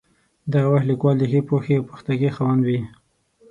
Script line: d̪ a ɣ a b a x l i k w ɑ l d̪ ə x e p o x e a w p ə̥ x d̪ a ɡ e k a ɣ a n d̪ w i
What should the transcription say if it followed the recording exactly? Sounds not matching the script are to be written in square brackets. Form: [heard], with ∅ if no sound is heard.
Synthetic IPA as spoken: d̪ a ɣ a [w] a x l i k w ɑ l d̪ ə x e p o x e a w p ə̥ x [t̪] a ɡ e [x] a [w] a n d̪ w i